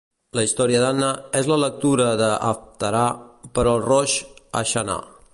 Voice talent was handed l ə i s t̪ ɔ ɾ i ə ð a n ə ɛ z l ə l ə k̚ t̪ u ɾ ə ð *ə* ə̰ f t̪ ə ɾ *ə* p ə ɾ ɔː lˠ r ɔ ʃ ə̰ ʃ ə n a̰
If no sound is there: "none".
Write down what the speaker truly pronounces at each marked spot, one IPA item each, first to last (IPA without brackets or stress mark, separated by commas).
ə, a